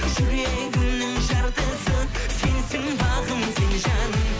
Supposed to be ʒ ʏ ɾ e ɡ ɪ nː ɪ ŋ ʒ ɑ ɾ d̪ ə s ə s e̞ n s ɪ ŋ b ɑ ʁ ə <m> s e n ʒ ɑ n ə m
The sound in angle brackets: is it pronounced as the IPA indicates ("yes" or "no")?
yes